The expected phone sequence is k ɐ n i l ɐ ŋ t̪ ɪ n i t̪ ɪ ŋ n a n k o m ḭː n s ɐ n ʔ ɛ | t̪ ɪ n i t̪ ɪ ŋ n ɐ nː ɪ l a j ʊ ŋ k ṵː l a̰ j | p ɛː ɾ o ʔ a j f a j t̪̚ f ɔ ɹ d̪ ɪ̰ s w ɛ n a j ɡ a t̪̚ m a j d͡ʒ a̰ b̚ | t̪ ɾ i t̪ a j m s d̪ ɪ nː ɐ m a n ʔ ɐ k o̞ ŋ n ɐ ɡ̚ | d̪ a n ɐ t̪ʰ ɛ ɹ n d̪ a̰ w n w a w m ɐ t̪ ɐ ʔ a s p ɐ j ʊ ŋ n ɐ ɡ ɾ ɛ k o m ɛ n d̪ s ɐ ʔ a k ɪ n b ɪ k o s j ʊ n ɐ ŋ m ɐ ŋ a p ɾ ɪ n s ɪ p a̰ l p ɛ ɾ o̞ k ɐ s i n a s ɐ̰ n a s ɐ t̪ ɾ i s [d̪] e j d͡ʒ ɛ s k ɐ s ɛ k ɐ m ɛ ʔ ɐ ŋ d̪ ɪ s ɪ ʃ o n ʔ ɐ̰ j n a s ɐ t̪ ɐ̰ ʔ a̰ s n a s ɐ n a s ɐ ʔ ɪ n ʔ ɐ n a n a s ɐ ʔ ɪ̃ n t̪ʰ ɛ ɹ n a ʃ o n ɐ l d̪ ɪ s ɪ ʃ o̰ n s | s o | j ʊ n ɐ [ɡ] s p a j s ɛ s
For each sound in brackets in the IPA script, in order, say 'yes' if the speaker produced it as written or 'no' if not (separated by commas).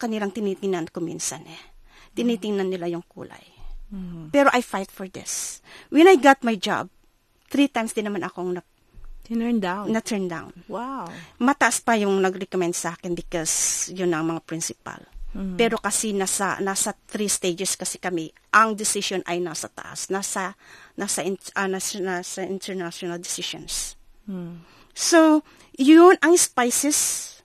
no, no